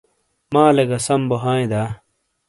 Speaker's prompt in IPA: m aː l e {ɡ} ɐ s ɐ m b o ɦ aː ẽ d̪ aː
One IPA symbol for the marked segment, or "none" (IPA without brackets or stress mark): ɡ